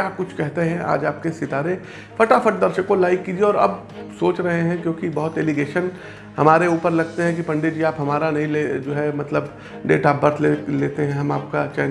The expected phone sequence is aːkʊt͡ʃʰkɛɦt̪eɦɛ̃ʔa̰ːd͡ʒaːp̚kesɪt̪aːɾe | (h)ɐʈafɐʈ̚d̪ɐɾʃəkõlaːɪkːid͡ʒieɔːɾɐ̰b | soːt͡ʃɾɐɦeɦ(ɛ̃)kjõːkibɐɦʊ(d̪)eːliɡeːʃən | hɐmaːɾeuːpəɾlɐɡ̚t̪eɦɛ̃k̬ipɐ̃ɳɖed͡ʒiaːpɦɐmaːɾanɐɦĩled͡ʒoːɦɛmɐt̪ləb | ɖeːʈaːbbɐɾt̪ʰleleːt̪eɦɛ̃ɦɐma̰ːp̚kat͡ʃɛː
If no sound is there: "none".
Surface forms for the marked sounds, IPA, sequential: f, ɛ̃, t̪

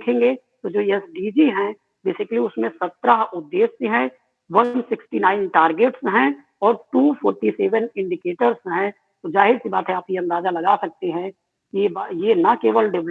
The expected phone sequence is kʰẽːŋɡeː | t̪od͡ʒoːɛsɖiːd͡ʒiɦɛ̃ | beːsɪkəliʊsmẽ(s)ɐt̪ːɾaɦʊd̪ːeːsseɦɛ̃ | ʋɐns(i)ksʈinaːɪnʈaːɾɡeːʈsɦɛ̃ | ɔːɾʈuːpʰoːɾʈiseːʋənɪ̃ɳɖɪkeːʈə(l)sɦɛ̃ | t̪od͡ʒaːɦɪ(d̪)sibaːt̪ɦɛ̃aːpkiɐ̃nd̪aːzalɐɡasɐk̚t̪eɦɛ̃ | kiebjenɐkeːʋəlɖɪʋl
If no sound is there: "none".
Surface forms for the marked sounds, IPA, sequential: s, ɪ, ɾ, d̪

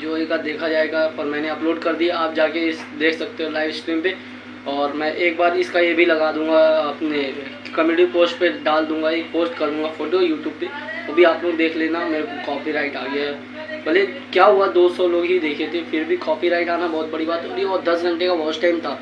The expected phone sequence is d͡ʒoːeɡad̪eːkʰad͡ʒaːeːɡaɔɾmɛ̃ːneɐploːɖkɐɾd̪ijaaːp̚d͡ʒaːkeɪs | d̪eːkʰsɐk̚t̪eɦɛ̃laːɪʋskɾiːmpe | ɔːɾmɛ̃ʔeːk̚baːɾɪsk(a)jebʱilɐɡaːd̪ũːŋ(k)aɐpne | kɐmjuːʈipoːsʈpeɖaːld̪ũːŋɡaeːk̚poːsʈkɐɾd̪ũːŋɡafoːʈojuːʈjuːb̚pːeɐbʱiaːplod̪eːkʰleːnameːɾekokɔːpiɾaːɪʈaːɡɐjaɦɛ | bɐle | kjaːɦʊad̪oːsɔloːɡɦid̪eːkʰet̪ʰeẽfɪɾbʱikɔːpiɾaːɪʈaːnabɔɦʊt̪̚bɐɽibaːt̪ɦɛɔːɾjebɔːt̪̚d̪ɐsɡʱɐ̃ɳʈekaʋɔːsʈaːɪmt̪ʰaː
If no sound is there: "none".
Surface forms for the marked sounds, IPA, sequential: a, ɡ

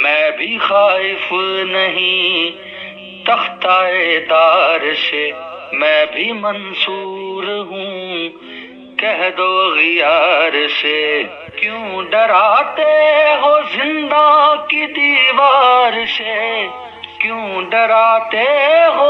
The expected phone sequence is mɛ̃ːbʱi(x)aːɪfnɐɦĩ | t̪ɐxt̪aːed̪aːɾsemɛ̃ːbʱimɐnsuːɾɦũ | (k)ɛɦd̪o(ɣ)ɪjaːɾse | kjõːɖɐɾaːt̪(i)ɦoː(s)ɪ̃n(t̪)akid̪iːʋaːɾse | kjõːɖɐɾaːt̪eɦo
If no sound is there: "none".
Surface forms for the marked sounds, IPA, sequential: x, k, ɣ, e, z, d̪

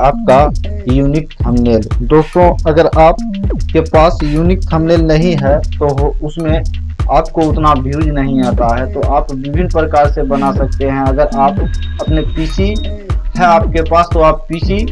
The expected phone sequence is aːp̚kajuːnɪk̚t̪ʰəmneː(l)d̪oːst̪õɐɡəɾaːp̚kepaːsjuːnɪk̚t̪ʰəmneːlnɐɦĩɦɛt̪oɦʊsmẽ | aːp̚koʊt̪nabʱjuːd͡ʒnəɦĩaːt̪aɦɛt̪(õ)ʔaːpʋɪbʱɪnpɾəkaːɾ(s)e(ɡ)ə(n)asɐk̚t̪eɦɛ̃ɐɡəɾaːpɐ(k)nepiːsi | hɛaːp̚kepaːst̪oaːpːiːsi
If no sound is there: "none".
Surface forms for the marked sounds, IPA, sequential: l, o, s, b, n, p

